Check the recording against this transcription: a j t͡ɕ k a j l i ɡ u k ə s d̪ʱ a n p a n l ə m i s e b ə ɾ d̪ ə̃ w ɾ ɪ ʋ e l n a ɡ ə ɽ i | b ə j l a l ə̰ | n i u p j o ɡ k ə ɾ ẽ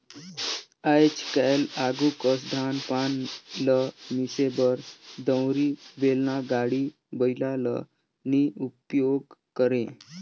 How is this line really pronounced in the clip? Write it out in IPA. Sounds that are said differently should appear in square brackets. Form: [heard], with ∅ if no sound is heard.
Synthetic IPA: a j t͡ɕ k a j l [a] ɡ u k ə s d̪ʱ a n p a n l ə m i s e b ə ɾ d̪ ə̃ w ɾ [i] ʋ e l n a ɡ [a] ɽ i | b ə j l a l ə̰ | n i u p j o ɡ k ə ɾ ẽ